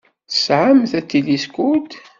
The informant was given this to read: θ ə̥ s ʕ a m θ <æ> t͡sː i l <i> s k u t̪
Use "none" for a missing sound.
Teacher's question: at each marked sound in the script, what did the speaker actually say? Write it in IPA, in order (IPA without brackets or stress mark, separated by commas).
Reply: æ, i